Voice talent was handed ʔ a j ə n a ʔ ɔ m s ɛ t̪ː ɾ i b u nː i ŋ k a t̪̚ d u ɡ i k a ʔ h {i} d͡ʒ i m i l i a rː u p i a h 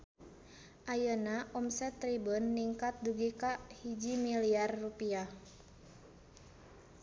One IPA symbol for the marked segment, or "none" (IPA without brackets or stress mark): i